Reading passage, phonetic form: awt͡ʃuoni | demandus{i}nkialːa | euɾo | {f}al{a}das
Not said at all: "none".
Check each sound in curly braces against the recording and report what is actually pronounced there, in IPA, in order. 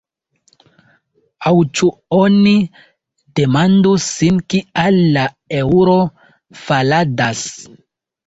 i, f, a

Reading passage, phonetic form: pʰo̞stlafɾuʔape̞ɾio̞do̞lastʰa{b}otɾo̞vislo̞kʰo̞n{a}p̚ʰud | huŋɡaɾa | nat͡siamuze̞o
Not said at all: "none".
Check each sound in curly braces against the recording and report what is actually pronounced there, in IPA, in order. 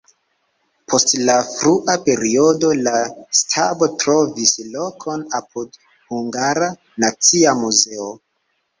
b, a

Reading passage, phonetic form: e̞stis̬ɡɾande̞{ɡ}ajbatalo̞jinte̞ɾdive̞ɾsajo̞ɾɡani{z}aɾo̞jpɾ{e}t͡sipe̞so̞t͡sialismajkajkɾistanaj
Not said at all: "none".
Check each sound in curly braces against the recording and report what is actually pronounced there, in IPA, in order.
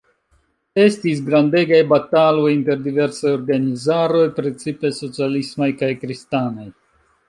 ɡ, z, e

